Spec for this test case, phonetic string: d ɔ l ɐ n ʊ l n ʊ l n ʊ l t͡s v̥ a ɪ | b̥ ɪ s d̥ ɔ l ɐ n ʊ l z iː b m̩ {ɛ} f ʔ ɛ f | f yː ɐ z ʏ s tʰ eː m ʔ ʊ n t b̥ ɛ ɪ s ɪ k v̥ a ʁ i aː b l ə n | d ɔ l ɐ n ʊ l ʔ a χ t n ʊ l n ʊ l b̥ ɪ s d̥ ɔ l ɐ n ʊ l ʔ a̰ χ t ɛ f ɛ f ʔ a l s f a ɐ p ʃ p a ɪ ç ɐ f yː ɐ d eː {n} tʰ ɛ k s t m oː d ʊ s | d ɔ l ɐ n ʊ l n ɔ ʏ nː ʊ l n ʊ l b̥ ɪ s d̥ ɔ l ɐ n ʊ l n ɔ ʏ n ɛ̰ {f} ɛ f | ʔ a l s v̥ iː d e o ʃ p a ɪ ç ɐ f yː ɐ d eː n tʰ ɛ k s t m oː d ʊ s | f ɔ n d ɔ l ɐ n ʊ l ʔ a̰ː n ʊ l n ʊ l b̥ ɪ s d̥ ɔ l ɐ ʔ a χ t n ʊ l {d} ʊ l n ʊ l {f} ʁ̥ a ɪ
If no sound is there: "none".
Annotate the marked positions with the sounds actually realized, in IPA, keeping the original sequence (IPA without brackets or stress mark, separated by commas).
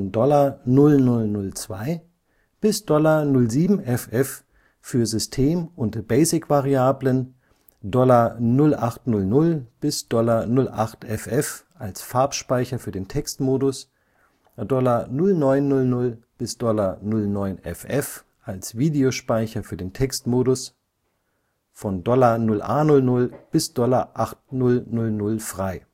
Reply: ɛ, n, f, n, f